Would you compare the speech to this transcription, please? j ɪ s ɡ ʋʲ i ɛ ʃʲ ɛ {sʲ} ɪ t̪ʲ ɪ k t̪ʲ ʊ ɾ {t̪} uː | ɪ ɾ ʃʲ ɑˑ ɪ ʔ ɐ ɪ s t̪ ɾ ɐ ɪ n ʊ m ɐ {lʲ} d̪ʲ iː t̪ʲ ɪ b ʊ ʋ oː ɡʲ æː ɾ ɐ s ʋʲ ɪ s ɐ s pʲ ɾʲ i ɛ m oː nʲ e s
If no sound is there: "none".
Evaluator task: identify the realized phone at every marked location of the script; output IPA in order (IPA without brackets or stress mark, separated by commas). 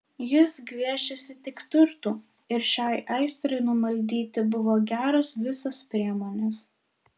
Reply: sʲ, t̪, lʲ